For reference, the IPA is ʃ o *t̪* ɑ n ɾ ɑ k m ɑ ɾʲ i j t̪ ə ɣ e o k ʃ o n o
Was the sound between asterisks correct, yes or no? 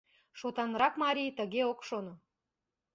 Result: yes